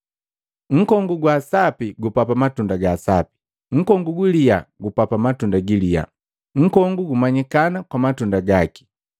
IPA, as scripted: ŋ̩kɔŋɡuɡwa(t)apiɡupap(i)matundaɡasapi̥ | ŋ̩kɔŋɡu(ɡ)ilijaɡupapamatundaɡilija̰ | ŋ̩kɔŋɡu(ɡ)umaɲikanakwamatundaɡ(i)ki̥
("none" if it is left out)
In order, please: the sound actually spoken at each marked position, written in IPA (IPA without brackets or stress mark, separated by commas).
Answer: s, a, ɡ, ɡ, a